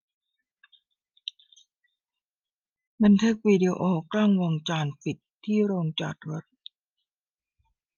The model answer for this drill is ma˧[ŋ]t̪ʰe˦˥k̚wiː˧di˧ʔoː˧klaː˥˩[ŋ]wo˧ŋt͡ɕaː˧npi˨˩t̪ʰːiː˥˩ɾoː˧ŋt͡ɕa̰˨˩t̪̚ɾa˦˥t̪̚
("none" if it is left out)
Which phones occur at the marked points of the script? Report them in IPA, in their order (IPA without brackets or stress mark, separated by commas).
n, ŋ